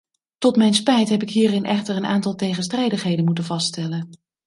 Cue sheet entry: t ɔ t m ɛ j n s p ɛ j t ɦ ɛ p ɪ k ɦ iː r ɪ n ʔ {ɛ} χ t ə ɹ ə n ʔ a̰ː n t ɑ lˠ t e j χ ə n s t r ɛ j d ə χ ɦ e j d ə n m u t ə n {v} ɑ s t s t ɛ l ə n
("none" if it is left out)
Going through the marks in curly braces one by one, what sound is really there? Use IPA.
ɛ, v

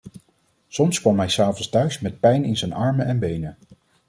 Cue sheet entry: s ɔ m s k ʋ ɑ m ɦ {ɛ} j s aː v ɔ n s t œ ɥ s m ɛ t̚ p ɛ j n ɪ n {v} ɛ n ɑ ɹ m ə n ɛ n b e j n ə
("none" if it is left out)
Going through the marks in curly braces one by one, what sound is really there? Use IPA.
ɛ, z

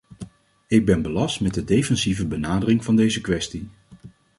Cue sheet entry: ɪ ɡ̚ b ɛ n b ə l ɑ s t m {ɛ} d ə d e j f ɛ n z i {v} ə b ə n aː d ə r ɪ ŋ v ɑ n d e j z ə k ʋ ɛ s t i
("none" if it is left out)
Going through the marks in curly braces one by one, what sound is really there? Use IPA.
ɛ, v

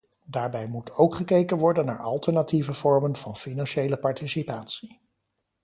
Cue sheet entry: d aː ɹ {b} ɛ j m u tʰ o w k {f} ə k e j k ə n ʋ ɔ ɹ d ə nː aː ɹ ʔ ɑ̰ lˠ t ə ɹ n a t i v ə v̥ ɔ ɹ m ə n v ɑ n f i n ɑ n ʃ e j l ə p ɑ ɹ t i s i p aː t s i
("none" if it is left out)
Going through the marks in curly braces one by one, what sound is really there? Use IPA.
b, χ

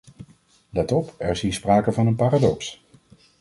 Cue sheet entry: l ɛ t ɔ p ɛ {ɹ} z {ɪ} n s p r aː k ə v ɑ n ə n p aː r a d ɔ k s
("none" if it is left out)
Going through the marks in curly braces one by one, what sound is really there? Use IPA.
ɹ, i

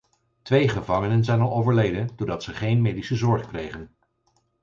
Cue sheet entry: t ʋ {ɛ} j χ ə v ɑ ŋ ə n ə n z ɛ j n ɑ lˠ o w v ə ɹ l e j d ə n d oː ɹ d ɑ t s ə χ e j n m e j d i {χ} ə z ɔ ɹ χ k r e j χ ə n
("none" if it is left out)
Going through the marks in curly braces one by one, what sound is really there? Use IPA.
e, s

